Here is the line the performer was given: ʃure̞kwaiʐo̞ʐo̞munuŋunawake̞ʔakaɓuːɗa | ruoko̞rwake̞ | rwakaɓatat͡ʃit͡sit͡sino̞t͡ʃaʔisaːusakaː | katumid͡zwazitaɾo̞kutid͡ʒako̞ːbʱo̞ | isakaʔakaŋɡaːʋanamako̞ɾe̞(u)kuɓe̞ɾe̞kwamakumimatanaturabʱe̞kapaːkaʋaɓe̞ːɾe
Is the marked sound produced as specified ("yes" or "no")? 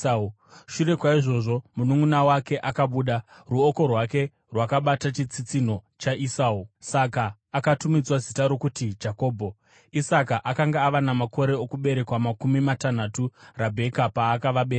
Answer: no